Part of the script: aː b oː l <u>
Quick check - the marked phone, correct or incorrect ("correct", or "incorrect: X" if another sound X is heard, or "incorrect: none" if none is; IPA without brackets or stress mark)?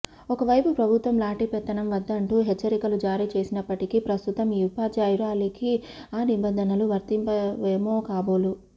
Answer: correct